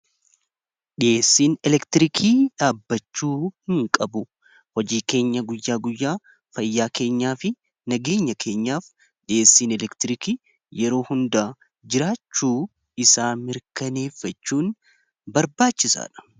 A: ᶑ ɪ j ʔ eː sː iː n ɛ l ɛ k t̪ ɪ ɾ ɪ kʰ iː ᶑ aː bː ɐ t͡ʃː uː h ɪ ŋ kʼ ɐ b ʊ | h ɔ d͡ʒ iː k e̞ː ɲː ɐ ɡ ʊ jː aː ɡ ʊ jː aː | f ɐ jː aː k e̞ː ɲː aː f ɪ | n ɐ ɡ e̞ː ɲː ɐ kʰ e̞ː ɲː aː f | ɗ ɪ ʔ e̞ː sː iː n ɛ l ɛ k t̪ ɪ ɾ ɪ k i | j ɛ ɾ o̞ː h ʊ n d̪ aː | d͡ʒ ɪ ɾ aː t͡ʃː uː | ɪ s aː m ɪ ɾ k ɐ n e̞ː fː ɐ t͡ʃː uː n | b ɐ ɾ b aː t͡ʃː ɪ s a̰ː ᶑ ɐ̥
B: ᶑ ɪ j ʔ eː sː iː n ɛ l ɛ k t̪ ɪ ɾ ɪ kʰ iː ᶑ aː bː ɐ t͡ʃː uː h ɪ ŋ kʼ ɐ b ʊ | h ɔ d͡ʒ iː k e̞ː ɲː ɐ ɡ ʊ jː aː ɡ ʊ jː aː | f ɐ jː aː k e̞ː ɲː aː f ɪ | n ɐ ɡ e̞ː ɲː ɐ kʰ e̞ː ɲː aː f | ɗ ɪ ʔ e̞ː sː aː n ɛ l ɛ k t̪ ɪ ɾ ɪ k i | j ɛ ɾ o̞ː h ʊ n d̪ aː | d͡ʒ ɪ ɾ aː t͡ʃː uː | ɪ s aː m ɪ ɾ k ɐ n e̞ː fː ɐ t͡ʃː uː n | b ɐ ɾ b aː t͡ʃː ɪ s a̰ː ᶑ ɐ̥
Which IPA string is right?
A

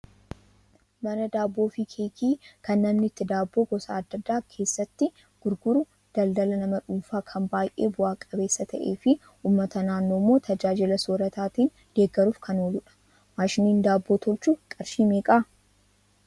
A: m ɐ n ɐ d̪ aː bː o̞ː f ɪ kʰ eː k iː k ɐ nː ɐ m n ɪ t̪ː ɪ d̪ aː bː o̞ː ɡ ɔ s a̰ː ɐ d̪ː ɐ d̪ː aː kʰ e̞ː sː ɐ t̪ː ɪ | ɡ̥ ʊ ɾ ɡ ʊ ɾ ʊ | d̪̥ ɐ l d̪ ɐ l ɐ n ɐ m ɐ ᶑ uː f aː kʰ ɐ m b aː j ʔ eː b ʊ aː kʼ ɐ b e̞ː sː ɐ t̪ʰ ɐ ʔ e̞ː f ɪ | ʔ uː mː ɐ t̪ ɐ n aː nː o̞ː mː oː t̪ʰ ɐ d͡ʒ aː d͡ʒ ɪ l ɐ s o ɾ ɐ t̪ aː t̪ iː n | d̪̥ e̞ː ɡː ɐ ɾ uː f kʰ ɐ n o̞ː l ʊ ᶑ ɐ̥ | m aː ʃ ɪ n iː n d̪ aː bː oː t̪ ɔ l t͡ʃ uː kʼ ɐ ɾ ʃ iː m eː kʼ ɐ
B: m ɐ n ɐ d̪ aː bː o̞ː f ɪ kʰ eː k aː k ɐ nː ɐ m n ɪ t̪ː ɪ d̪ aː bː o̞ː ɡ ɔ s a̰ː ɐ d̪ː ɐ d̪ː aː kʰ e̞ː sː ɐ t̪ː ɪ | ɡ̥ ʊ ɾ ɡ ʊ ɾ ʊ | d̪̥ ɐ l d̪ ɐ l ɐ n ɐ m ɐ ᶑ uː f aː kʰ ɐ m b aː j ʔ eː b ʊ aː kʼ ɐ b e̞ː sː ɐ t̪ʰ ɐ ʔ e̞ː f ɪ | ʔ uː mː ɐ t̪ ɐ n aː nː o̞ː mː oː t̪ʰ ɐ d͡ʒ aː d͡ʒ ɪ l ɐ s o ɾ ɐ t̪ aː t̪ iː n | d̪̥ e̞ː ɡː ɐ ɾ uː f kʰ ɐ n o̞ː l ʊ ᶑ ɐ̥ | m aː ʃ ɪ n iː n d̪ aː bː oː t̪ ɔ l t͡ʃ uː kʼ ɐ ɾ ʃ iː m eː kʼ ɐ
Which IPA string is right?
A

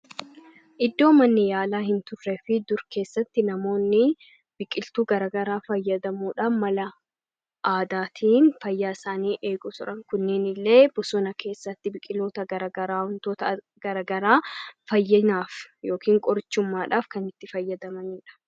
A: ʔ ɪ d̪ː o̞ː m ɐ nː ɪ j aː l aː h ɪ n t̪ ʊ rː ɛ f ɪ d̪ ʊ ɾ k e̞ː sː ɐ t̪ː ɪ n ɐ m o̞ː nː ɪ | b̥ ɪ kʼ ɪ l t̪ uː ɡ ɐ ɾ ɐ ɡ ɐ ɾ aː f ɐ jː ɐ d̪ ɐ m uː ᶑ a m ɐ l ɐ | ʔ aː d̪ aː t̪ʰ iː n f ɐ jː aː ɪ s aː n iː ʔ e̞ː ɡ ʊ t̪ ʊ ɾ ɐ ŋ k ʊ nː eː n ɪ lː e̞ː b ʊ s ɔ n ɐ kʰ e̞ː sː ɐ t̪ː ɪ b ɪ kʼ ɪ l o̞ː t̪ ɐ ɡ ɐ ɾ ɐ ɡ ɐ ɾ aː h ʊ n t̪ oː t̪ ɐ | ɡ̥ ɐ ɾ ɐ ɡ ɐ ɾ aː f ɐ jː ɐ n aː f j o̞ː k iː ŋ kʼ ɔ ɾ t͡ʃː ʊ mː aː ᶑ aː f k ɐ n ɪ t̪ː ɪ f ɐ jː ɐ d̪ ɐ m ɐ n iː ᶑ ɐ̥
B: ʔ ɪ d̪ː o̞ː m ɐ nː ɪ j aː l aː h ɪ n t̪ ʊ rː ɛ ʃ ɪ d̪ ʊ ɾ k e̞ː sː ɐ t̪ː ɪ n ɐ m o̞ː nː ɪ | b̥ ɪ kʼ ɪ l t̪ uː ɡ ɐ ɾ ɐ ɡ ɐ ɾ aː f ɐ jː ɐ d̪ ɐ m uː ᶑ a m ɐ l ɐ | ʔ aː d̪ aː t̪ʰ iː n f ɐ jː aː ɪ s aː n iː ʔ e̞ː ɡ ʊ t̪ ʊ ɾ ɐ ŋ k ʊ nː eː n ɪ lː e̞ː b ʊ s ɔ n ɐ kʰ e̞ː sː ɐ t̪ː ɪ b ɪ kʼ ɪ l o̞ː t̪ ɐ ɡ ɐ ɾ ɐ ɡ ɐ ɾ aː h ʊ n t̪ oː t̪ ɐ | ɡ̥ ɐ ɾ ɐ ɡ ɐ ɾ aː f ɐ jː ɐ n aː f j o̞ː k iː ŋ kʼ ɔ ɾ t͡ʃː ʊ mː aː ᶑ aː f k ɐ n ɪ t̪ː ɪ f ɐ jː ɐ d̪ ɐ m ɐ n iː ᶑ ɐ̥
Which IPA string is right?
A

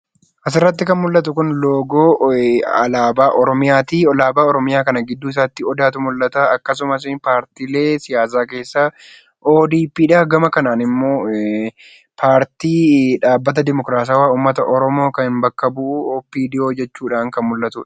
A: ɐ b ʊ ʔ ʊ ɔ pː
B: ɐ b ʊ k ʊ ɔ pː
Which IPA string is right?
A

